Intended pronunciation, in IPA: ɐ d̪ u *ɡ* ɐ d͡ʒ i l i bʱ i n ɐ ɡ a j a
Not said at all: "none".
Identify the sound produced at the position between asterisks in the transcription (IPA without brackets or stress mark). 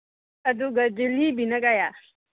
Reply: ɡ